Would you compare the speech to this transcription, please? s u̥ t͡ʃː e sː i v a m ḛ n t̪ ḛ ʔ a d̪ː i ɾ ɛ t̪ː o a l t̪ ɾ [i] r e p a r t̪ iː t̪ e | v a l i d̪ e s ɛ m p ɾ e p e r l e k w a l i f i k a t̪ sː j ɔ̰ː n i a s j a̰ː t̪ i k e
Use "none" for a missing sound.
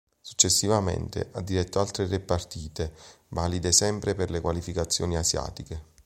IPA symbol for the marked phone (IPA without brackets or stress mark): e